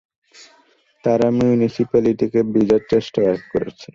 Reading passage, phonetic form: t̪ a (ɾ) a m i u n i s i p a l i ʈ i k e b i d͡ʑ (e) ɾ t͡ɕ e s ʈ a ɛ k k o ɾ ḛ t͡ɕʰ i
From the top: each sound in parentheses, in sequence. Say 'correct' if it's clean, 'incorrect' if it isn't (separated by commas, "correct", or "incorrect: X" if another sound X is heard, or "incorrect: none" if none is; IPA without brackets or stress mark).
correct, incorrect: a